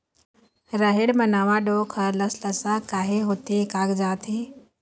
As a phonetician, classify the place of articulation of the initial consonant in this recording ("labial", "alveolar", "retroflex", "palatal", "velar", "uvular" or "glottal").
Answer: alveolar